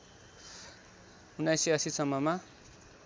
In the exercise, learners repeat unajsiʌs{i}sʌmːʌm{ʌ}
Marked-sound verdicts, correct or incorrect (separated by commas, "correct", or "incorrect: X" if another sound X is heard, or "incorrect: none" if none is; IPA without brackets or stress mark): correct, incorrect: a